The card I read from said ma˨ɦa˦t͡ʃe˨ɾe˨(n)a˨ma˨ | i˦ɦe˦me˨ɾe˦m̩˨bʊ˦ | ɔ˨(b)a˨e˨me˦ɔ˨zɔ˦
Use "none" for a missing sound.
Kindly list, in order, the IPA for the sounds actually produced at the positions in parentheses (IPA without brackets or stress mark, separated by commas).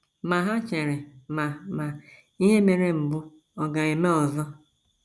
m, ɡ